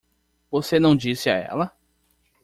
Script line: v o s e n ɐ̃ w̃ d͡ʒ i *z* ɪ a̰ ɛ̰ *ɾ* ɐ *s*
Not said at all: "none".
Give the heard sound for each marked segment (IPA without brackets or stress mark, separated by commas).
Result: s, l, none